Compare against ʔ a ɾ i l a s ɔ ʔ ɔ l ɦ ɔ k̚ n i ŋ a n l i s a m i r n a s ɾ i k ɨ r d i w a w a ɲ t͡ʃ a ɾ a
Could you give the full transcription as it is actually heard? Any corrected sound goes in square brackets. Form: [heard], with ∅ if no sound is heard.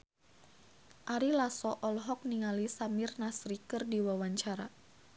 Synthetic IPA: ʔ a ɾ i l a s ɔ ʔ ɔ l ɦ ɔ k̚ n i ŋ a [∅] l i s a m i r n a s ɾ i k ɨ r d i w a w a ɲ t͡ʃ a ɾ a

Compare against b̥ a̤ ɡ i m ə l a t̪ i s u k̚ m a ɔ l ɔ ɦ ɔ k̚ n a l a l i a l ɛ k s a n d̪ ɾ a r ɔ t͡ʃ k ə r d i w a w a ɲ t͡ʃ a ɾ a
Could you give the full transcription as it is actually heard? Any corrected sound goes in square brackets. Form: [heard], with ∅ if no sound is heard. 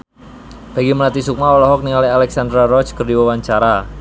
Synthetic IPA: b̥ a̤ ɡ i m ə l a t̪ i s u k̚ m a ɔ l ɔ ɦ ɔ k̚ n [i] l a l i a l ɛ k s a n d̪ ɾ a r ɔ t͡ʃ k ə r d i w a w a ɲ t͡ʃ a ɾ a

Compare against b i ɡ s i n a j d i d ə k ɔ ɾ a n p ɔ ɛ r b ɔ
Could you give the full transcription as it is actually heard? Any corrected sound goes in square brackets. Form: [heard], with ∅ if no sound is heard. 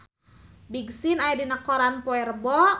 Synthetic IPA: b i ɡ s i n a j d i [n] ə k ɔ ɾ a n p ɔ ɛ r b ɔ

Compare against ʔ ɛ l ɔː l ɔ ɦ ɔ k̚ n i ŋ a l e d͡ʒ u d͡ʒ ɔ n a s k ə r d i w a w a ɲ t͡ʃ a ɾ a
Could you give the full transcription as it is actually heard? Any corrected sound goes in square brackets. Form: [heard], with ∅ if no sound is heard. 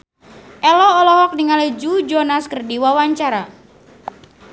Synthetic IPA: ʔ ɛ l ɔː l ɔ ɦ ɔ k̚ n i ŋ a l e d͡ʒ u d͡ʒ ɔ n a s k ə r d i w a w a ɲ t͡ʃ a ɾ a

